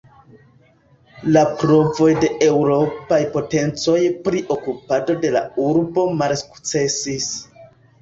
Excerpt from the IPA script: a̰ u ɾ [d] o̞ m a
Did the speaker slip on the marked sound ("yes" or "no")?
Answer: yes